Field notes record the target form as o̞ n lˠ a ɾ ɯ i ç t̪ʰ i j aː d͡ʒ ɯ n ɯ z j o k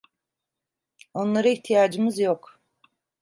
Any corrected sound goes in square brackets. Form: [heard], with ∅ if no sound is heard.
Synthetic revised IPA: o̞ n lˠ a ɾ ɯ i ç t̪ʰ i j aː d͡ʒ ɯ [m] ɯ z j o k